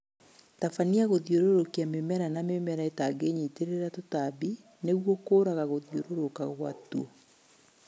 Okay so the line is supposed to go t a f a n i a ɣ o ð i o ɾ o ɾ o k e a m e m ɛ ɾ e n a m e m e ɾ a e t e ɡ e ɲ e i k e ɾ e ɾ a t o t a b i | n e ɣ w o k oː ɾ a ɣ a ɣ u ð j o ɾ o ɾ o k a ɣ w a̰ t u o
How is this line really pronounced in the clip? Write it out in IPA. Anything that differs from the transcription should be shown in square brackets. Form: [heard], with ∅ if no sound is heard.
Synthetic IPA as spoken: t a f a n i a ɣ o ð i o ɾ o ɾ o k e a m e m ɛ ɾ [a] n a m e m [ɛ] ɾ a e t [a] ɡ e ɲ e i [t] e ɾ e ɾ a t o t a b i | n e ɣ w o k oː ɾ a ɣ a ɣ [o] ð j o ɾ o ɾ o k a ɣ w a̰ t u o